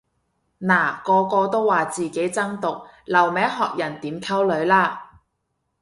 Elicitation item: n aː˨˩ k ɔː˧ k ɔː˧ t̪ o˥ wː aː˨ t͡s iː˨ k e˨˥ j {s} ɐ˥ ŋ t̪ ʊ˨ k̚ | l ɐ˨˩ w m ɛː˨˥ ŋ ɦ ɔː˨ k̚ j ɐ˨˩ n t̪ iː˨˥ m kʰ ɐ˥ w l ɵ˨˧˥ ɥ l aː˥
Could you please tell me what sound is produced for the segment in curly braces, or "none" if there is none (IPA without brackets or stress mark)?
t͡s